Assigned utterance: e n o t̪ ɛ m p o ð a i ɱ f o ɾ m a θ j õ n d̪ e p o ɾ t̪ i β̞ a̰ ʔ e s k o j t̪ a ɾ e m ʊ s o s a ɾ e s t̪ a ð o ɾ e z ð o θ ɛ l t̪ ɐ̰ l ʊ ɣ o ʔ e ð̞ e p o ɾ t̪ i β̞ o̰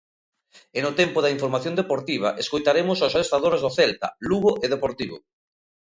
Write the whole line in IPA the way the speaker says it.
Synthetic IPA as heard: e n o t̪ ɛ m p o ð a i ɱ f o ɾ m a θ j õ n d̪ e p o ɾ t̪ i β̞ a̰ ʔ e s k o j t̪ a ɾ e m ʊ s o s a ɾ e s t̪ a ð o ɾ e z ð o θ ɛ l t̪ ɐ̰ l u ɣ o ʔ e ð̞ e p o ɾ t̪ i β̞ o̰